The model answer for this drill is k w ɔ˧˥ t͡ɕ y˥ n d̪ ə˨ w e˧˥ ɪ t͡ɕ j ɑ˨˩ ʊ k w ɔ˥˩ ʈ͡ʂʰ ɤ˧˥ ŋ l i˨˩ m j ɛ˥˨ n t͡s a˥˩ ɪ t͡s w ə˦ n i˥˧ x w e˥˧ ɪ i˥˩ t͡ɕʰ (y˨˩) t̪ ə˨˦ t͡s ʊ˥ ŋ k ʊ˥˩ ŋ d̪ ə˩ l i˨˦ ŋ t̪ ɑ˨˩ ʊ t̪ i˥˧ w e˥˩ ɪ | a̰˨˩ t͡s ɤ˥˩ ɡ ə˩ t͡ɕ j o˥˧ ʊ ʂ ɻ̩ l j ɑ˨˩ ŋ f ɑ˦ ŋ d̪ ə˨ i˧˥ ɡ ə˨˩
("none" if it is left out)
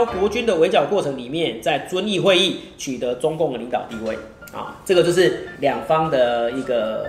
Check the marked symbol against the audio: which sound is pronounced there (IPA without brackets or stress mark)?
y˨˩